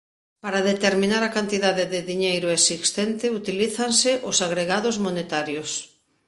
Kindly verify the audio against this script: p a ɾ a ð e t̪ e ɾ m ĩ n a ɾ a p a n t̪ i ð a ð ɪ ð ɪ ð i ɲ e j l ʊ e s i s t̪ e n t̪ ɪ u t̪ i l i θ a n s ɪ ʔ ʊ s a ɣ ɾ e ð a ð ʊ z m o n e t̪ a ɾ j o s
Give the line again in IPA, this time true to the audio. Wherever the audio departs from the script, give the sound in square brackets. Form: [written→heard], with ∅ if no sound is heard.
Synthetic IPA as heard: p a ɾ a ð e t̪ e ɾ m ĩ n a ɾ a [p→k] a n t̪ i ð a ð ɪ ð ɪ ð i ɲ e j [l→ɾ] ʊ e s i s t̪ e n t̪ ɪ u t̪ i l i θ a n s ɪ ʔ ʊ s a ɣ ɾ e [ð→ɣ] a ð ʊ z m o n e t̪ a ɾ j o s